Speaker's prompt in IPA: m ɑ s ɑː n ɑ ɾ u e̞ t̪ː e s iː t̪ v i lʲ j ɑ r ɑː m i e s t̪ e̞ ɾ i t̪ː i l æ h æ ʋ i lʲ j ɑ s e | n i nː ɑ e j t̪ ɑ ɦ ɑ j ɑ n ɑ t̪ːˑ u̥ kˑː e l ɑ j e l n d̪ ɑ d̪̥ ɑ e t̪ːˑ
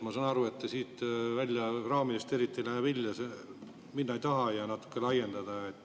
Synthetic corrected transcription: m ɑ s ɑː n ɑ ɾ u e̞ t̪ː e s iː t̪ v æ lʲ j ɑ r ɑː m i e s t̪ e̞ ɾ i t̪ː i l æ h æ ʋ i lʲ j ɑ s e | m i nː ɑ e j t̪ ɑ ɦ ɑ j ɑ n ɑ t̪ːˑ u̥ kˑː e l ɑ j e n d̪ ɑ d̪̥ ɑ e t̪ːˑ

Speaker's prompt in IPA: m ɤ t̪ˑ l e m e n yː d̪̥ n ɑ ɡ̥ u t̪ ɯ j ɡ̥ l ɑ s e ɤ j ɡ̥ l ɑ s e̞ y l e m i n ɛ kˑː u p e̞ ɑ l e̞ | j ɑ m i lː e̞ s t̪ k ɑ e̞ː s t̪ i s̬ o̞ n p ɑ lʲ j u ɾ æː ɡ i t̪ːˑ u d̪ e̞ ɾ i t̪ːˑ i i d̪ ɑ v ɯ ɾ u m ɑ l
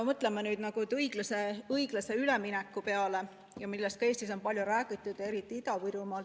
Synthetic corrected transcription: m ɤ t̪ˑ l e m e n yː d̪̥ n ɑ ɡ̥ u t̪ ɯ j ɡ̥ l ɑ s e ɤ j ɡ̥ l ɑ s e̞ y l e m i n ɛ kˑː u p e̞ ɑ l e̞ | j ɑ m i lː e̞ s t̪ k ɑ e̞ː s t̪ i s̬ o̞ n p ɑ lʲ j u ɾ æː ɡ i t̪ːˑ u d̪ e̞ ɾ i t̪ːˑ i i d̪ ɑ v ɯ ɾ u m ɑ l

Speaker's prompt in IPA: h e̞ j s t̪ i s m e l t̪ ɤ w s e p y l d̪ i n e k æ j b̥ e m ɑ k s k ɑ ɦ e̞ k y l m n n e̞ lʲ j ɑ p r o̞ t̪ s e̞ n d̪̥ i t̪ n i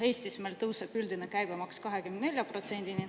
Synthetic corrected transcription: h e̞ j s t̪ i s m e l t̪ ɤ w s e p y l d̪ i n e k æ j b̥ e m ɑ k s k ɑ ɦ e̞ k y m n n e̞ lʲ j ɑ p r o̞ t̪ s e̞ n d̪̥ i n i

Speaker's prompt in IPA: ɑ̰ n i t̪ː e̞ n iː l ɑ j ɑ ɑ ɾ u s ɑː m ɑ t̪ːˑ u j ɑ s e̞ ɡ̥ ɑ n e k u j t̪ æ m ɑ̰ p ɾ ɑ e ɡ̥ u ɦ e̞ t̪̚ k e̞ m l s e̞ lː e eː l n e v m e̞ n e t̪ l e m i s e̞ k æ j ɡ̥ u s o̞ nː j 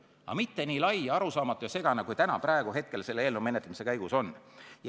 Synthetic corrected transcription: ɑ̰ m i t̪ː e̞ n iː l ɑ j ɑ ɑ ɾ u s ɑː m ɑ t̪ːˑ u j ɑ s e̞ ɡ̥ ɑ n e k u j t̪ æ n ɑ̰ p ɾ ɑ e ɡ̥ u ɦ e̞ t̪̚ k e̞ l s e̞ lː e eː l n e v m e̞ n e t̪ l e m i s e̞ k æ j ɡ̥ u s o̞ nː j

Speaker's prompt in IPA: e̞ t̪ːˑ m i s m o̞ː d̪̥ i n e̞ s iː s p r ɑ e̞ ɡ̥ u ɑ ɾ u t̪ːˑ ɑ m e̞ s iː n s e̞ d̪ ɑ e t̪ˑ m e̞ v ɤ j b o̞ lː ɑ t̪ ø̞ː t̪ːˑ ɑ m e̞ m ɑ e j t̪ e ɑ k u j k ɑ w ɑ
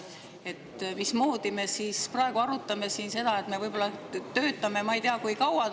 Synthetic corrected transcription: e̞ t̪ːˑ m i s m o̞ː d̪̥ i m e̞ s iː s p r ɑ e̞ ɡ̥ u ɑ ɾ u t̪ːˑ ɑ m e̞ s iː n s e̞ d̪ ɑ e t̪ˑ m e̞ v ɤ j b o̞ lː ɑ t̪ ø̞ː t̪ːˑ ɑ m e̞ m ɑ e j t̪ e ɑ k u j k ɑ w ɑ

